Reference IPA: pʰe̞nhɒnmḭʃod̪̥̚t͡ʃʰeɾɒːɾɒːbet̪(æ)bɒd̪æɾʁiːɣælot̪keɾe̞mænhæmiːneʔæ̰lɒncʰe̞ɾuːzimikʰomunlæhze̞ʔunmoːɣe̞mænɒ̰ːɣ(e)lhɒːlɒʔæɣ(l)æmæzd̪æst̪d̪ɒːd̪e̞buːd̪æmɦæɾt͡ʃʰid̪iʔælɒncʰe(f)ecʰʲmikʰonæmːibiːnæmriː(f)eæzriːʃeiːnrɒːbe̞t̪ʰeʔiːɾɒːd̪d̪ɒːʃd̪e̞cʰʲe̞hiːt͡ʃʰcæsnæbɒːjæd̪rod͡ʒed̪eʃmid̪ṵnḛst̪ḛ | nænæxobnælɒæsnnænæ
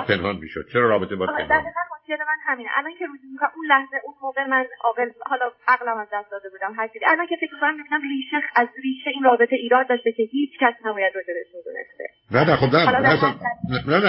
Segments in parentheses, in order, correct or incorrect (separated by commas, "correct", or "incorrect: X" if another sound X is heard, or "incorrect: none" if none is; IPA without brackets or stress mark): incorrect: e, correct, correct, correct, incorrect: ʃ